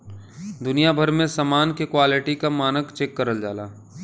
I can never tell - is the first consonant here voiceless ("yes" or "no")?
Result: no